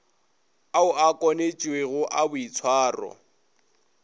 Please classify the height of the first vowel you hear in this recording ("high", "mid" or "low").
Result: low